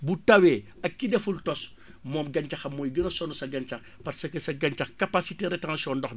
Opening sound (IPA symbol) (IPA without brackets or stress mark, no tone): b